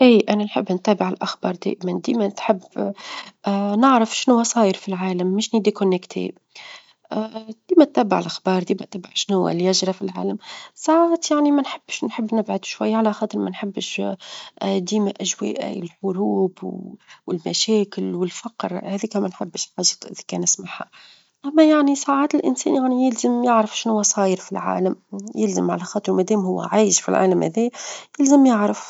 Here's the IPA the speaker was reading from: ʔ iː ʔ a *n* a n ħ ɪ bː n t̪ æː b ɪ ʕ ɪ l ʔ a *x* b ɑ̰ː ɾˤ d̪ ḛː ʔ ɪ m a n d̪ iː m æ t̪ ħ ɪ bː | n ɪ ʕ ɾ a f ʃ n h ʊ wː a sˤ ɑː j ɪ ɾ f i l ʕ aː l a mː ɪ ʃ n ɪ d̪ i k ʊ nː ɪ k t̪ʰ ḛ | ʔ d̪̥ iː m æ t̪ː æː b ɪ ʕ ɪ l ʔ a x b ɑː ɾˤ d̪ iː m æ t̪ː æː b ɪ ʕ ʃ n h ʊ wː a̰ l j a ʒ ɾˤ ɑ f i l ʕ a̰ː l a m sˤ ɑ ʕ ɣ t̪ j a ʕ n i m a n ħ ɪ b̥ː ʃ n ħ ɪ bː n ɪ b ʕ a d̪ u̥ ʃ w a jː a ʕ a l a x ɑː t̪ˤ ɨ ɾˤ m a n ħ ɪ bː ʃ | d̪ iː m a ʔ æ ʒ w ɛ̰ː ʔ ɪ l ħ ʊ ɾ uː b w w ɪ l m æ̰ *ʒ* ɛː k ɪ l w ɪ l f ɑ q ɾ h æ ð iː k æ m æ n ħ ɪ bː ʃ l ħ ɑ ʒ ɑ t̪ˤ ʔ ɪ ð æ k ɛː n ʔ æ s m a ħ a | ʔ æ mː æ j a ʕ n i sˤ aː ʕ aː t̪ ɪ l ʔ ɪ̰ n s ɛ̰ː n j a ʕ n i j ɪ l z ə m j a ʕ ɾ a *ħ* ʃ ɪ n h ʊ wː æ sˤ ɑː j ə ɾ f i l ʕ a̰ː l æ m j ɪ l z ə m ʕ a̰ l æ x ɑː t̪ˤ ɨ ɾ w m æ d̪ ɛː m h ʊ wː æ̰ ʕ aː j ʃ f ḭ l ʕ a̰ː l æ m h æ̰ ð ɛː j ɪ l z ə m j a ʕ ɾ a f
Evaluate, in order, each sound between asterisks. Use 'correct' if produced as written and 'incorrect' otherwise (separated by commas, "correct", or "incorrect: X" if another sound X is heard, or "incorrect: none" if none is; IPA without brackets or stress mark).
correct, correct, incorrect: ʃ, incorrect: f